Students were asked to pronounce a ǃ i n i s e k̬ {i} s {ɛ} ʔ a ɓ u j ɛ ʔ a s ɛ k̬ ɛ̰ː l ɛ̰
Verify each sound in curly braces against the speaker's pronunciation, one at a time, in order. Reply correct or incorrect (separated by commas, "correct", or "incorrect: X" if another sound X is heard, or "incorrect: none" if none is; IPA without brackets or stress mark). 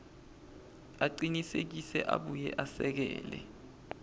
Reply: correct, correct